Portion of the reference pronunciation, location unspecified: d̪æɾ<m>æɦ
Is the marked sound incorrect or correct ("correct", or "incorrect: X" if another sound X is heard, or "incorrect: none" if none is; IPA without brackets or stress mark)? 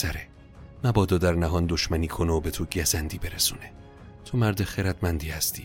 incorrect: n